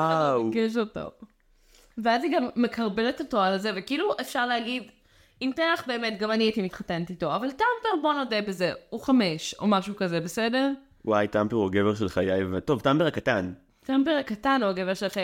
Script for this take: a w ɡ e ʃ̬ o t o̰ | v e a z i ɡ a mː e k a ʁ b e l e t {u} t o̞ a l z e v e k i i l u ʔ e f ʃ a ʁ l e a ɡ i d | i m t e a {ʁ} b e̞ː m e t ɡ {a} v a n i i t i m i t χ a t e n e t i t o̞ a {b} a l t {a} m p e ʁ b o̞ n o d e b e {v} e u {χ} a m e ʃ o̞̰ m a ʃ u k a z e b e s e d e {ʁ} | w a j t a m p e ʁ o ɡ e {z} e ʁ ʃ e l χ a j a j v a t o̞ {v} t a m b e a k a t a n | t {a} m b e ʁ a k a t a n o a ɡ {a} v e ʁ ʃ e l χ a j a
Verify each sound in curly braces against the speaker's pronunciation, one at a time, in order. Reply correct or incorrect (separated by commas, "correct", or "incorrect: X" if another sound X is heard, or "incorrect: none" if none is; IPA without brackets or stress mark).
incorrect: o, incorrect: χ, correct, incorrect: v, correct, incorrect: z, correct, correct, incorrect: v, correct, correct, incorrect: e